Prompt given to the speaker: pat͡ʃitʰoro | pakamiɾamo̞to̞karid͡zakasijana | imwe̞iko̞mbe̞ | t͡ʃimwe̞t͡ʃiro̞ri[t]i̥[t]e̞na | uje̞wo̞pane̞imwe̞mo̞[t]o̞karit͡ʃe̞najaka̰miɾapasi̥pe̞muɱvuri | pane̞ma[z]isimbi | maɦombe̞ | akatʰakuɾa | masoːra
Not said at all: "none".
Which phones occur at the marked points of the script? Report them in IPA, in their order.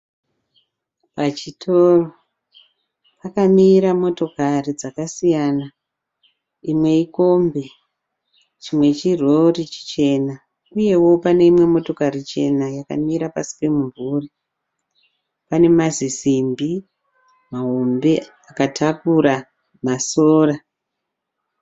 t͡ʃ, t͡ʃ, t, z

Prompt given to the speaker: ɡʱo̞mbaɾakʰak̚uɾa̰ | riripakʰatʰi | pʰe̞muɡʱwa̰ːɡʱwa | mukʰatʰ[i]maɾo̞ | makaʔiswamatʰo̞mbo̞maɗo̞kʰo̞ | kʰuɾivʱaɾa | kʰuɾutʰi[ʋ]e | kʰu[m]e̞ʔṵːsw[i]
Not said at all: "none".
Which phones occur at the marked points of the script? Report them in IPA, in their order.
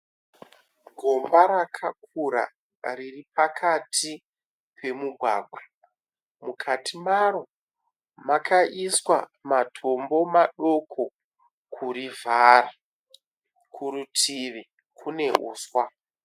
i, ʋ, n, a

